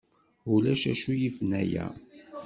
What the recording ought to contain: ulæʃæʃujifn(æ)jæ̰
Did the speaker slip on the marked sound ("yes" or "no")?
no